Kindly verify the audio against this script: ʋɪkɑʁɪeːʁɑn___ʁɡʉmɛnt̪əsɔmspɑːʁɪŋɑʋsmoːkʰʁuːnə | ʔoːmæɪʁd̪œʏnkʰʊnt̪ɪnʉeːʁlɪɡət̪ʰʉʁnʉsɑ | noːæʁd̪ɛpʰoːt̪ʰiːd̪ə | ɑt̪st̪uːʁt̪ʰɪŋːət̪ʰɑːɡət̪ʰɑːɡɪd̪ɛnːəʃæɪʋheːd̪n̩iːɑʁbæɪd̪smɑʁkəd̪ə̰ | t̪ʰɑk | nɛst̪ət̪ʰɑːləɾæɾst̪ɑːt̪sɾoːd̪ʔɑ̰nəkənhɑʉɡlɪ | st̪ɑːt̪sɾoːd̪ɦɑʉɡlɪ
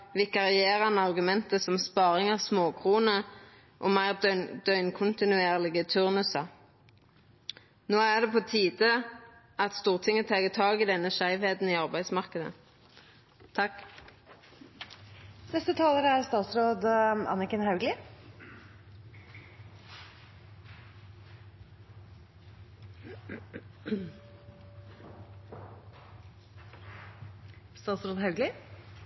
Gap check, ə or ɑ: ɑ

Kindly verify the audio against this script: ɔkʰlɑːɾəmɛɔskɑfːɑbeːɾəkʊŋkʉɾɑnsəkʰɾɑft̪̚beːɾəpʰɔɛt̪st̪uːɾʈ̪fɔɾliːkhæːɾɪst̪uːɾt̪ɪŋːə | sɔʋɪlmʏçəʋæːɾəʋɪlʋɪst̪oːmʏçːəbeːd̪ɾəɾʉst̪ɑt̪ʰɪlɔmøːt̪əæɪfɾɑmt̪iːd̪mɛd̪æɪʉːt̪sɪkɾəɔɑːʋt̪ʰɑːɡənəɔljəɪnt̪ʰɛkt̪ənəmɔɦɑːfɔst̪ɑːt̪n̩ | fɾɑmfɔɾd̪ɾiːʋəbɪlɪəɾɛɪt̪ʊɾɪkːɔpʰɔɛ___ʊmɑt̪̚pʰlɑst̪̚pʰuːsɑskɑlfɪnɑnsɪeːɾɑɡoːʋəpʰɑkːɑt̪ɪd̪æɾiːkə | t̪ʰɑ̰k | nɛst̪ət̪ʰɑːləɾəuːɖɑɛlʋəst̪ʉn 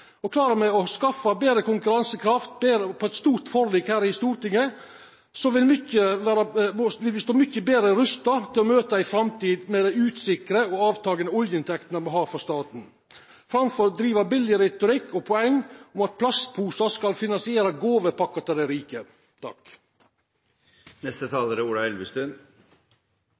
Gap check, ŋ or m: ŋ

